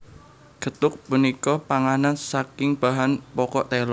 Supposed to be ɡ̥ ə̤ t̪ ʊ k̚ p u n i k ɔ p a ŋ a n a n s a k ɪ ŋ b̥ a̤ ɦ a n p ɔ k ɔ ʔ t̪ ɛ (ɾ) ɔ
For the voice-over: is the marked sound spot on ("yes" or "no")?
no